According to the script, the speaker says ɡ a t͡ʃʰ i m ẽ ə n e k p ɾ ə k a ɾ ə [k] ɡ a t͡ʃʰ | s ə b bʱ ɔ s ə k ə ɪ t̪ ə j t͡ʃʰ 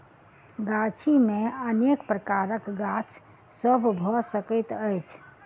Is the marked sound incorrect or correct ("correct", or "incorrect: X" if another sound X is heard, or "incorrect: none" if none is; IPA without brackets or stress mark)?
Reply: correct